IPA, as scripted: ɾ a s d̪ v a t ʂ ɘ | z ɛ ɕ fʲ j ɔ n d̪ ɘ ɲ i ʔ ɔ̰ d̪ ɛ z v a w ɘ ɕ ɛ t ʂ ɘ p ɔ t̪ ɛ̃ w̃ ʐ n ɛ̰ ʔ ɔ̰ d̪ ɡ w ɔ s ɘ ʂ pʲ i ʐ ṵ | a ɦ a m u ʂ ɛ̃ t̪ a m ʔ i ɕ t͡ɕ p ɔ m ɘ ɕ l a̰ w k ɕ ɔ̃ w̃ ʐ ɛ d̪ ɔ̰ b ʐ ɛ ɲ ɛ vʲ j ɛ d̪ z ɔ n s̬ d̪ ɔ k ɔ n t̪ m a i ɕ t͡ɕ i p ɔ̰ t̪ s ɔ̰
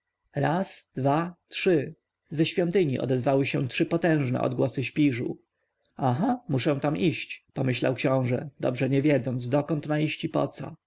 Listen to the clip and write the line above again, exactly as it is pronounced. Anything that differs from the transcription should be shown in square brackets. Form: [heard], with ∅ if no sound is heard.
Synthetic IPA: ɾ a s d̪ v a t ʂ ɘ | z ɛ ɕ fʲ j ɔ n [t̪] ɘ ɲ i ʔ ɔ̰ d̪ ɛ z v a w ɘ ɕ ɛ t ʂ ɘ p ɔ t̪ ɛ̃ w̃ ʐ n ɛ̰ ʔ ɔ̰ d̪ ɡ w ɔ s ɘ [ɕ] pʲ i ʐ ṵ | a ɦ a m u ʂ ɛ̃ t̪ a m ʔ i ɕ t͡ɕ p ɔ m ɘ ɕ l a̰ w k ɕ ɔ̃ w̃ ʐ ɛ d̪ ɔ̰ b ʐ ɛ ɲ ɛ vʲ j ɛ d̪ z ɔ n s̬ d̪ ɔ k ɔ n t̪ m a i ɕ t͡ɕ i p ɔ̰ t̪ s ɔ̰

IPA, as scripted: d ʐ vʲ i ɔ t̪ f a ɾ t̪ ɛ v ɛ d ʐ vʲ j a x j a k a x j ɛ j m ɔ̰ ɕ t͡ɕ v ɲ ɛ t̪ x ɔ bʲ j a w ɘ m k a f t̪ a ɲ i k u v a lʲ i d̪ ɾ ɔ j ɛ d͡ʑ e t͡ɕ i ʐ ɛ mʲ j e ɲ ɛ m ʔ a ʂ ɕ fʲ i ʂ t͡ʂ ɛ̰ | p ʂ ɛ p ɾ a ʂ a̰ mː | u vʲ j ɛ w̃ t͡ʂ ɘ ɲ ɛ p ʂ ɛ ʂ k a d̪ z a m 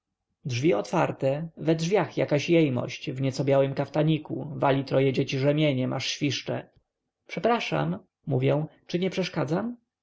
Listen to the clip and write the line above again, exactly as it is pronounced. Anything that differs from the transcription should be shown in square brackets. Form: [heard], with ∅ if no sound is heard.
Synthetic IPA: d ʐ vʲ i ɔ t̪ f a ɾ t̪ ɛ v ɛ d ʐ vʲ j a x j a k a [ɕ] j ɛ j m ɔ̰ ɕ t͡ɕ v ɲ ɛ t̪ [s] ɔ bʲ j a w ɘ m k a f t̪ a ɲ i k u v a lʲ i [t̪] ɾ ɔ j ɛ d͡ʑ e t͡ɕ i ʐ ɛ mʲ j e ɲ ɛ m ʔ a ʂ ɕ fʲ i ʂ t͡ʂ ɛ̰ | p ʂ ɛ p ɾ a ʂ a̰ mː | u vʲ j ɛ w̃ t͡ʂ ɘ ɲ ɛ p ʂ ɛ ʂ k a d̪ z a m

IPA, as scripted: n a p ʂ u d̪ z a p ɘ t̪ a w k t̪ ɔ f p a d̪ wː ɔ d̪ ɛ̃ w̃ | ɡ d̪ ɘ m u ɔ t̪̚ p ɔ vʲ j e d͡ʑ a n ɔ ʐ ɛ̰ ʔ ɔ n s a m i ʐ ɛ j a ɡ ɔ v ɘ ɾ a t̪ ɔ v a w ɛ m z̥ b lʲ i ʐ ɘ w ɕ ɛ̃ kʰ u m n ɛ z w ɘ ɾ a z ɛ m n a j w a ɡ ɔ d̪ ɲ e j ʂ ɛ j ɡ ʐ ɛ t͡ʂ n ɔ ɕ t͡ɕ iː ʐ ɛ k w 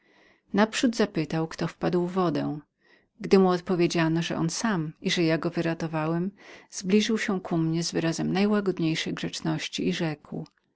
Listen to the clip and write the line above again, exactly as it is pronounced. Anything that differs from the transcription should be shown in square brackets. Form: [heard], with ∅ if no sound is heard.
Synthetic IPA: n a p ʂ u d̪ z a p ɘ t̪ a w k t̪ ɔ f p a d̪ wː ɔ d̪ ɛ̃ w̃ | ɡ d̪ ɘ m u ɔ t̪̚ p ɔ vʲ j e d͡ʑ a n ɔ ʐ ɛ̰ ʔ ɔ n s a m i ʐ ɛ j a ɡ ɔ v ɘ ɾ a t̪ ɔ v a w ɛ m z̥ b lʲ i ʐ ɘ w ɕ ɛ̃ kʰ u m [ɲ] ɛ z [v] ɘ ɾ a z ɛ m n a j w a ɡ ɔ d̪ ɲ e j ʂ ɛ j ɡ ʐ ɛ t͡ʂ n ɔ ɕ t͡ɕ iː ʐ ɛ k w

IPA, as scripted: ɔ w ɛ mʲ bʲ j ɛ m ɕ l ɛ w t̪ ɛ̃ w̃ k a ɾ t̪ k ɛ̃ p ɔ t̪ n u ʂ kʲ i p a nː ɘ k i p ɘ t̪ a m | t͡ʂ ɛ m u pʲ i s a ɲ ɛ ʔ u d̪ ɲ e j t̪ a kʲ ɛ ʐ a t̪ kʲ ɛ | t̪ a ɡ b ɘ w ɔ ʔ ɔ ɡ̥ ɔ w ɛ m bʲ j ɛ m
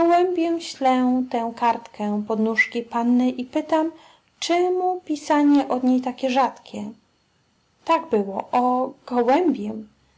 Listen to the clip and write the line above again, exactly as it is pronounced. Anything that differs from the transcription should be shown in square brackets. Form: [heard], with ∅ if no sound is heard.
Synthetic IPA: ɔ w ɛ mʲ bʲ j ɛ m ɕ l ɛ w t̪ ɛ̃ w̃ k a ɾ t̪ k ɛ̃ p ɔ [d̪] n u ʂ kʲ i p a nː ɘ [ʔ] i p ɘ t̪ a m | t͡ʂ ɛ m u pʲ i s a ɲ ɛ ʔ [ɔ] d̪ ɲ e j t̪ a kʲ ɛ ʐ a t̪ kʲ ɛ | t̪ a ɡ b ɘ w ɔ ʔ ɔ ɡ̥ ɔ w ɛ m bʲ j ɛ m

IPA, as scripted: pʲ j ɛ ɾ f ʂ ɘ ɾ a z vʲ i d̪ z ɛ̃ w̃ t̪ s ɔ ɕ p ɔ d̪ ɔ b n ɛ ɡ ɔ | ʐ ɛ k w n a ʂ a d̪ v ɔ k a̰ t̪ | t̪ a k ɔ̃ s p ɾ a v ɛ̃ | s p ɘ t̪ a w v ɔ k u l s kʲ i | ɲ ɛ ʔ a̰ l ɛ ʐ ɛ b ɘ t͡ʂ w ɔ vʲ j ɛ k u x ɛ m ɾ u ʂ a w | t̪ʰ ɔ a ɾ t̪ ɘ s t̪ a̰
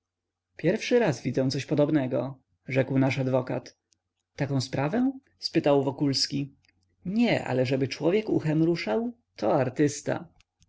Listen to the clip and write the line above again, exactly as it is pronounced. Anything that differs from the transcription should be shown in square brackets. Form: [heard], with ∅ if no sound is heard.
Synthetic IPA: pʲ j ɛ ɾ f ʂ ɘ ɾ a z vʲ i d̪ z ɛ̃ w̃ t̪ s ɔ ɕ p ɔ d̪ ɔ b n ɛ ɡ ɔ | ʐ ɛ k w n a ʂ a d̪ v ɔ k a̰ t̪ | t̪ a k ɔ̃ s p ɾ a v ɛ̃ | s p ɘ t̪ a w v ɔ k u l s kʲ i | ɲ ɛ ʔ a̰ l ɛ ʐ ɛ b ɘ t͡ʂ w ɔ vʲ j ɛ k u x ɛ m ɾ u ʂ a w | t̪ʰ ɔ a ɾ t̪ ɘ s t̪ a̰

